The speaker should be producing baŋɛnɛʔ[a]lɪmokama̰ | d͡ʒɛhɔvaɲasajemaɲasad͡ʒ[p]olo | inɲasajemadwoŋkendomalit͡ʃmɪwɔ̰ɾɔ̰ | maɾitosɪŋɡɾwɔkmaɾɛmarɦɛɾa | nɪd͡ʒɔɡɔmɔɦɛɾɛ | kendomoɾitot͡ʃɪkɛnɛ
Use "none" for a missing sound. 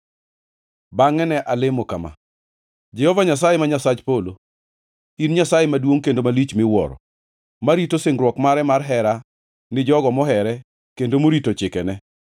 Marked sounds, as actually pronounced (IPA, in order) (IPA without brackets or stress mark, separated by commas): a, p